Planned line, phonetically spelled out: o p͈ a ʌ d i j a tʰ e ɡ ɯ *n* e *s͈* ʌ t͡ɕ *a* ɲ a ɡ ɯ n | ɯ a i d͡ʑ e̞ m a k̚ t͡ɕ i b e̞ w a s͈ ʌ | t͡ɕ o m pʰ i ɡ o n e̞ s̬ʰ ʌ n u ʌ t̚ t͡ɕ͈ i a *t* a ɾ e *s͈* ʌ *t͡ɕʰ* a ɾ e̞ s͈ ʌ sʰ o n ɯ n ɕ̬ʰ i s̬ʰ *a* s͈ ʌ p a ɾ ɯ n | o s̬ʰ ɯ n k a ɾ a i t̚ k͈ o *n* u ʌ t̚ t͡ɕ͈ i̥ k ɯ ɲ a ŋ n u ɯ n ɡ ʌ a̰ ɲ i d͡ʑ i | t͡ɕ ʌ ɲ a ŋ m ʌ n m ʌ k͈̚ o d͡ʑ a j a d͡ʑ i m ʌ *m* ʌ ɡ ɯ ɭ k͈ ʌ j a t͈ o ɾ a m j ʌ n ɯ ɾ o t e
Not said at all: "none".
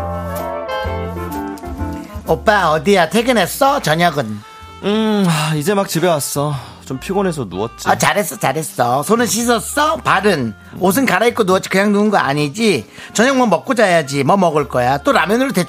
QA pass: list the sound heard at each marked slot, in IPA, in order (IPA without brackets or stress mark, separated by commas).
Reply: n, s͈, ʌ, t͡ɕ, s͈, t͡ɕ, ʌ, n, m